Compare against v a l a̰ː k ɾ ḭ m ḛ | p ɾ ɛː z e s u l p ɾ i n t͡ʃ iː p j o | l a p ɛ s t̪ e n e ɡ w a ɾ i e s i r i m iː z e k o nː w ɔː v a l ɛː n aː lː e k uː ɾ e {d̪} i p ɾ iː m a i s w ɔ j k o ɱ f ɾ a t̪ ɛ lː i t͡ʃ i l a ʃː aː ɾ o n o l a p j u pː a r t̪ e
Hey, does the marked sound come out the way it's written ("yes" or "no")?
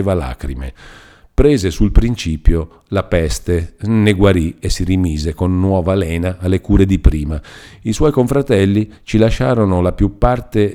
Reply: yes